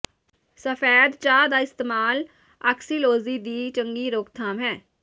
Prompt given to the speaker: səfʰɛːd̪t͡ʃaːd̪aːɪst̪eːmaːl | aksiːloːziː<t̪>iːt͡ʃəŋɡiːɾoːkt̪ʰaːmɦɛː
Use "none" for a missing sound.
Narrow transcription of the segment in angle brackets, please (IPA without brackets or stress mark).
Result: d̪